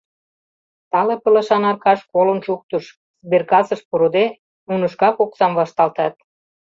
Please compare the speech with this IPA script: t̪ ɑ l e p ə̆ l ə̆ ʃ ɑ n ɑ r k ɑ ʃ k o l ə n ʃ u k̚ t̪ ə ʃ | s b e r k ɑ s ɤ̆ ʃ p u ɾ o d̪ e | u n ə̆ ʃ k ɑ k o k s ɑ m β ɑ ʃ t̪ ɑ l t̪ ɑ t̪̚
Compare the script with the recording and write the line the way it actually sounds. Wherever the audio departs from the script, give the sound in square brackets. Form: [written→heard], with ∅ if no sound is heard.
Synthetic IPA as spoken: t̪ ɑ l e p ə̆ l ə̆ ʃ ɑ n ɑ r k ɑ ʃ k o l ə n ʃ u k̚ t̪ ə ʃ | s b e r k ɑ s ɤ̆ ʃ p u ɾ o d̪ e | u n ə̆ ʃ k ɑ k o k s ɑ m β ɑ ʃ t̪ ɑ l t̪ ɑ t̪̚